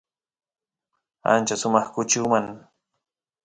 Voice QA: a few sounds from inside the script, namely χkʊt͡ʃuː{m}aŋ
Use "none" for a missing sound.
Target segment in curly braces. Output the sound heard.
m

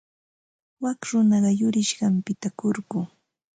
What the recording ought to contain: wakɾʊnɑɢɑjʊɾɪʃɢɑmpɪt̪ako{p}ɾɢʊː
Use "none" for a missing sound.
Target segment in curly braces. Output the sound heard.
none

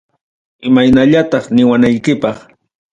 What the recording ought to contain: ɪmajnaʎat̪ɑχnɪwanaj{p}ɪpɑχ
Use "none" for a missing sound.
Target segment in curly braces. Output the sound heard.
k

